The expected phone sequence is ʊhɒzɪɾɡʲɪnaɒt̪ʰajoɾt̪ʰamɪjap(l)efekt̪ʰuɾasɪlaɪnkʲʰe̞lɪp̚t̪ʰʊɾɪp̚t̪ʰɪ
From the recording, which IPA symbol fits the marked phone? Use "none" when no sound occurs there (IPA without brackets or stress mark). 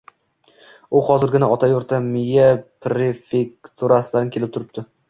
ɾ